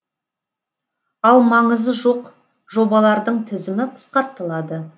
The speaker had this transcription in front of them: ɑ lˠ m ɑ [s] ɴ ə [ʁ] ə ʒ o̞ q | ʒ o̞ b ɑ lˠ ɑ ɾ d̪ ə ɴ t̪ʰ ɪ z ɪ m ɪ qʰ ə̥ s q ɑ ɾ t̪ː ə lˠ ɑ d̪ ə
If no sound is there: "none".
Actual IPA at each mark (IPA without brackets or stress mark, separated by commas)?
none, z